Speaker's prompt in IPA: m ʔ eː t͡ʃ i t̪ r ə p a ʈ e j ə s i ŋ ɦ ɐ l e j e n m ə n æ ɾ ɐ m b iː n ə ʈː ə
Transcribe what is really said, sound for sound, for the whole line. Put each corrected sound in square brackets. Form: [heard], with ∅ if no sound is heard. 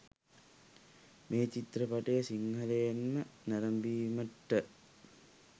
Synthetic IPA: m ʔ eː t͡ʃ i t̪ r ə p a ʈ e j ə s i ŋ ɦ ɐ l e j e n m ə n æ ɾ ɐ m b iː [m] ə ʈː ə